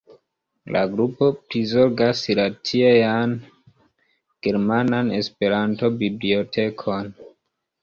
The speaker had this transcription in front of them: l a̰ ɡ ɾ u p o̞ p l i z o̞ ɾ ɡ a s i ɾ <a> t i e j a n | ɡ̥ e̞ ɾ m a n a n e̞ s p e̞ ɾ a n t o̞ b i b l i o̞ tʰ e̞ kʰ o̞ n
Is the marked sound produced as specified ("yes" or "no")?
yes